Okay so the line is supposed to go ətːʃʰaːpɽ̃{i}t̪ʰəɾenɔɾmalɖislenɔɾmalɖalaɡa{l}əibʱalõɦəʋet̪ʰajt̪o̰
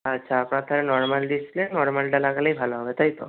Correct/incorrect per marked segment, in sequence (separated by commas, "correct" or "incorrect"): incorrect, correct